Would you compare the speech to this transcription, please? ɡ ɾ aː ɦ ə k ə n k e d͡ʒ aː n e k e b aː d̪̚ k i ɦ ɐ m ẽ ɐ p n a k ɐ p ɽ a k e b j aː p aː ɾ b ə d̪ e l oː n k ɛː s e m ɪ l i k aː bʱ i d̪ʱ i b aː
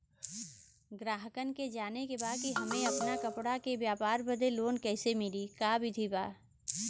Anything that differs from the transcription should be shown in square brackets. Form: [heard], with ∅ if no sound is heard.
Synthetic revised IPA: ɡ ɾ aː ɦ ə k ə n k e d͡ʒ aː n e k e b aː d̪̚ k i ɦ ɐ m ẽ ɐ p n a k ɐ p ɽ a k e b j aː p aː ɾ b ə d̪ e l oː n k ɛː s e m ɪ l i k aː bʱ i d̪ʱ i b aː